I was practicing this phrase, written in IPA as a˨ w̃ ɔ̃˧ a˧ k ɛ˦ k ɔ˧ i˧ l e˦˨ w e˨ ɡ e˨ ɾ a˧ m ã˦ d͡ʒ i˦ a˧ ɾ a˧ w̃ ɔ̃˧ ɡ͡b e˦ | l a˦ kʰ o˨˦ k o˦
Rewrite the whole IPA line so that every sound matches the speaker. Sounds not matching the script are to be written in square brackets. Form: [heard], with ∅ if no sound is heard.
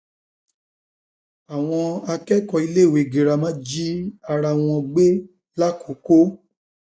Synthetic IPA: a˨ w̃ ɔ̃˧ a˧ k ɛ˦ k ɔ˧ i˧ l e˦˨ w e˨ ɡ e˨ ɾ a˧ m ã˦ d͡ʒ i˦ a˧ ɾ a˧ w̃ ɔ̃˧ ɡ͡b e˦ | l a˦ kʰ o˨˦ k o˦